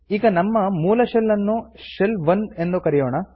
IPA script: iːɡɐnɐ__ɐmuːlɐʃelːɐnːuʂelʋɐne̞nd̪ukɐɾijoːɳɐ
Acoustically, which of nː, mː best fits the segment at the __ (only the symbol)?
mː